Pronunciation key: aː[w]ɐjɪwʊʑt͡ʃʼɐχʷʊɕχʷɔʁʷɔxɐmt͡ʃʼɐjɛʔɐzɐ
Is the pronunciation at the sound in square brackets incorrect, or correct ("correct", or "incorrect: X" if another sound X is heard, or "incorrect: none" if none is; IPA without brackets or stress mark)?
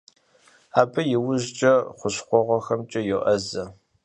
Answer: incorrect: b